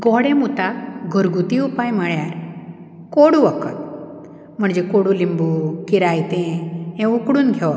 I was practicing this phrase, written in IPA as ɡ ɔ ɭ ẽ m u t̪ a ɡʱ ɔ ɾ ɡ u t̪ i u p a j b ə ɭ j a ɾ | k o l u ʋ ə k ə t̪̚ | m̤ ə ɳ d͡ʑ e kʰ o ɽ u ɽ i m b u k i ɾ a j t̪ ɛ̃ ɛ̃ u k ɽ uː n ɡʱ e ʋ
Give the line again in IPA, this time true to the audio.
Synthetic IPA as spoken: ɡ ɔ ɽ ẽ m u t̪ a ɡʱ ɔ ɾ ɡ u t̪ i u p a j m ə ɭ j a ɾ | k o ɽ u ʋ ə k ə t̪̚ | m̤ ə ɳ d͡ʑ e k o ɽ u l i m b u k i ɾ a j t̪ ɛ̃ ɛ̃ u k ɽ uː n ɡʱ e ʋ